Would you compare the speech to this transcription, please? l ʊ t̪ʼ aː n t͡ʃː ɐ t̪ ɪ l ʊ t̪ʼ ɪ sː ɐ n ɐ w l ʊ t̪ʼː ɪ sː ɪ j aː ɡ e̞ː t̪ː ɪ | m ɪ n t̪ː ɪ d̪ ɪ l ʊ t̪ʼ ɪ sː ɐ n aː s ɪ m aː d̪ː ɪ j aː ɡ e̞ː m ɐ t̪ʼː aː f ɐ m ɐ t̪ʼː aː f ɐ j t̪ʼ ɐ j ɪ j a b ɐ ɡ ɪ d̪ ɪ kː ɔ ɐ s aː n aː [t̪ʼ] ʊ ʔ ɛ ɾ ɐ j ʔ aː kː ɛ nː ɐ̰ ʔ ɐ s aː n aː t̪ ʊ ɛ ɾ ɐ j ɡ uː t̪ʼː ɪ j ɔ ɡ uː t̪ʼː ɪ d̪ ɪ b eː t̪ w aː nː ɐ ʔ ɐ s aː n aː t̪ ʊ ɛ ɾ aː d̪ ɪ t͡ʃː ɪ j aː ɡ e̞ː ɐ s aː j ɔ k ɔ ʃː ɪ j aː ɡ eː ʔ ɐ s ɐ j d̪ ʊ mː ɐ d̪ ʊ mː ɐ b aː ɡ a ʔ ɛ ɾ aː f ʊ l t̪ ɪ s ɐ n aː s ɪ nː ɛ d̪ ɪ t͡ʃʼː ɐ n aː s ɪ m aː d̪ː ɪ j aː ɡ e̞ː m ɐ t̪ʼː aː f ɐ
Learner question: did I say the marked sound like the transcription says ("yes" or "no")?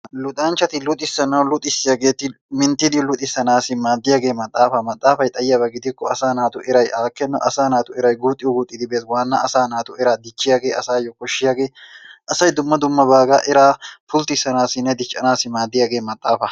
no